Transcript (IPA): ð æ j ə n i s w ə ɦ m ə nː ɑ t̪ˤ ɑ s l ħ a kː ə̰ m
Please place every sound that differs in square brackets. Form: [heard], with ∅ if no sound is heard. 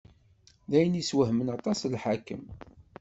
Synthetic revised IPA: ð æ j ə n i s w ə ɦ m ə [n] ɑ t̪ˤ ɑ s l ħ a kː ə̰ m